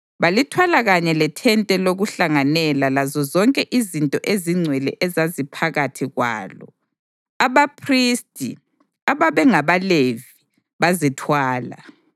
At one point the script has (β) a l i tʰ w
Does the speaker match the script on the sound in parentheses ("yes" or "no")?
yes